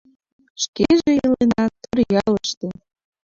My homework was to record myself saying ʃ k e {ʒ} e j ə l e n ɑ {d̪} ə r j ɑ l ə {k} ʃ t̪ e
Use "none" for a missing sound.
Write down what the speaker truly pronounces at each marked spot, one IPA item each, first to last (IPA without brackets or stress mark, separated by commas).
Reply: ʒ, t̪, none